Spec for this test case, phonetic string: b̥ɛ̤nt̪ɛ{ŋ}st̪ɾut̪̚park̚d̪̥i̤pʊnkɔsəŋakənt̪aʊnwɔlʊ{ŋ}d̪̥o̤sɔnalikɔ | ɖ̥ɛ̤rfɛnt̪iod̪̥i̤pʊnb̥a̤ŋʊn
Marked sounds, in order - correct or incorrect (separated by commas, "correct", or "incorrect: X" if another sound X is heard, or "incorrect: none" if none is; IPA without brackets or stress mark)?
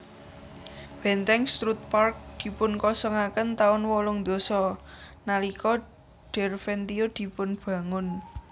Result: correct, correct